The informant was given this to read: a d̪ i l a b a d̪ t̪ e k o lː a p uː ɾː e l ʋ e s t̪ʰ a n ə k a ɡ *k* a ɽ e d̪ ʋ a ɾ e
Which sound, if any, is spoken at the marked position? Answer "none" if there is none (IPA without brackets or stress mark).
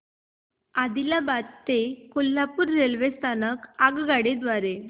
ɡ